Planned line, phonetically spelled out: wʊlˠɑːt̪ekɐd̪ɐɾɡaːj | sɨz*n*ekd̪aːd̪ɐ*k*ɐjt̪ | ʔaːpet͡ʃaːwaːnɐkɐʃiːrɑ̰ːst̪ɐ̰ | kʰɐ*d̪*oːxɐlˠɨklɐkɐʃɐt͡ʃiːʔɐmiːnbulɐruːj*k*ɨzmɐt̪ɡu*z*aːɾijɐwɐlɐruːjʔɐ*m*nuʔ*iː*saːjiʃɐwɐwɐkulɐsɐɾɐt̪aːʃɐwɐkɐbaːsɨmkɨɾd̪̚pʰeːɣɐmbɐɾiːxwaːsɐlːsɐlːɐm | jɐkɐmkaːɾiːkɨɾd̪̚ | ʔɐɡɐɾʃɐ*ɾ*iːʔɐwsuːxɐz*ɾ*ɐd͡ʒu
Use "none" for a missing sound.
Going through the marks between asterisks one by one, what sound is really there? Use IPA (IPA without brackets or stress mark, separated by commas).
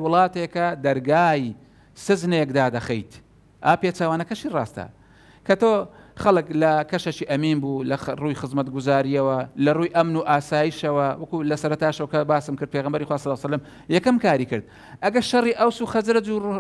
n, x, t̪, x, z, m, aː, r, ɾ